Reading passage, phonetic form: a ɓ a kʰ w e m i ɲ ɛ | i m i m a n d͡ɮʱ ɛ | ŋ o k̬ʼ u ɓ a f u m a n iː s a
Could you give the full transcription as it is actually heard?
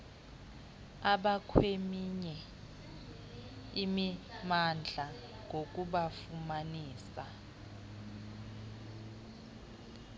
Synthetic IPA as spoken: a ɓ a kʰ w e m i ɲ ɛ | i m i m a n d͡ɮʱ a | ŋ o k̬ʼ u ɓ a f u m a n iː s a